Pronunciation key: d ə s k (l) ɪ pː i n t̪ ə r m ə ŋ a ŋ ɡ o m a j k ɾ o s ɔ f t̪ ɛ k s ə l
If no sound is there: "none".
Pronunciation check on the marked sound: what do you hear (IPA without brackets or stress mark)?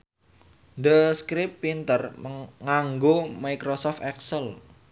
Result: ɾ